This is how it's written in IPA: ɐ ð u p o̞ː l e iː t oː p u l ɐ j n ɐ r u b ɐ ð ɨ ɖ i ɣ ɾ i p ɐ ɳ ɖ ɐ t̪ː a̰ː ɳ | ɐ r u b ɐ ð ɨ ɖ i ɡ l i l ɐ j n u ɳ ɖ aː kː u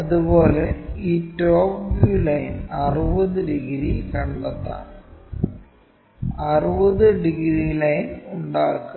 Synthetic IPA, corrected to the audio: ɐ ð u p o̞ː l e iː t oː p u l ɐ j n ɐ r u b ɐ ð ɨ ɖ i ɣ ɾ i k ɐ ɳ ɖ ɐ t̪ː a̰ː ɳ | ɐ r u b ɐ ð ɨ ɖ i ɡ ɾ i l ɐ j n u ɳ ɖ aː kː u

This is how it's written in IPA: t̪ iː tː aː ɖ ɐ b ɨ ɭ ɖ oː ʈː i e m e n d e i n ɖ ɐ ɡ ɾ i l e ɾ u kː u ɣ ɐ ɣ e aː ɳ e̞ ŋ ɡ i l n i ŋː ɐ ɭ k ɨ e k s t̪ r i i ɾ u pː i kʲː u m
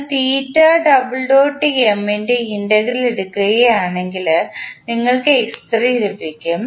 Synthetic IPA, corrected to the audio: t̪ iː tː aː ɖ ɐ b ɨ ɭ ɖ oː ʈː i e m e n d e i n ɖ ɐ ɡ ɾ i l e ɽ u kː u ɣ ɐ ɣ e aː ɳ e̞ ŋ ɡ i l n i ŋː ɐ ɭ k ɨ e k s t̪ r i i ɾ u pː i kʲː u m

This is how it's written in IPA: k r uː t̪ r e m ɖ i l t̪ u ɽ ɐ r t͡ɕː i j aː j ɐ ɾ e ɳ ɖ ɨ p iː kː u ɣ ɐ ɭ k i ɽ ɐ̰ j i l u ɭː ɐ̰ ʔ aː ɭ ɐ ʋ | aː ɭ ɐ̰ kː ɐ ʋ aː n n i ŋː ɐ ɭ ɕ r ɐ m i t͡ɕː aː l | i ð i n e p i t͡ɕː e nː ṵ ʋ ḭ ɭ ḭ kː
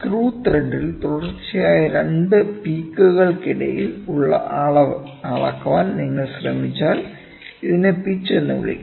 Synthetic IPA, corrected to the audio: k r uː t̪ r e ɳ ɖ i l t̪ u ɽ ɐ r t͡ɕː i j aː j ɐ ɾ e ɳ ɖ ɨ p iː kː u ɣ ɐ ɭ k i ɽ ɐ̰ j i l u ɭː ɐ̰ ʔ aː ɭ ɐ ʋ | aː ɭ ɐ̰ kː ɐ ʋ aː n n i ŋː ɐ ɭ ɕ r ɐ m i t͡ɕː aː l | i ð i n e p i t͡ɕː e nː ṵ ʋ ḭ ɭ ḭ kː

